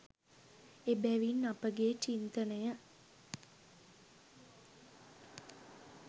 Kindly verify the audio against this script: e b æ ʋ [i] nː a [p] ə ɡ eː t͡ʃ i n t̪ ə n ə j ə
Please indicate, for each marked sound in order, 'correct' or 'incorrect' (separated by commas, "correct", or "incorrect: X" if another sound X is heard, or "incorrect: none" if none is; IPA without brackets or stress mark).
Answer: correct, correct